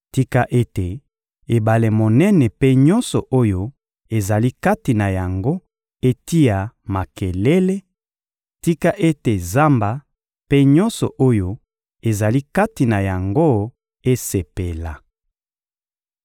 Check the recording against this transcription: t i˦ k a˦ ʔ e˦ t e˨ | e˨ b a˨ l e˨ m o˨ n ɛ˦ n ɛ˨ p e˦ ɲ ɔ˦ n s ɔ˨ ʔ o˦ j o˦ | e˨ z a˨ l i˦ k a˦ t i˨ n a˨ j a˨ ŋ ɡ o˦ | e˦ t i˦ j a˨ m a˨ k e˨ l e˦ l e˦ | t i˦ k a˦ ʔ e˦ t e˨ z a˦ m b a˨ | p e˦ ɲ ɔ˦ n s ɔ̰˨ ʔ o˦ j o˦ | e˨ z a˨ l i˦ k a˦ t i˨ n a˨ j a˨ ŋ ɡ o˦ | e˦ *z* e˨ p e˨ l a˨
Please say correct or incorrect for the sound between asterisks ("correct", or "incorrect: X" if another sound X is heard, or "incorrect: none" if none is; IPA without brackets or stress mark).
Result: incorrect: s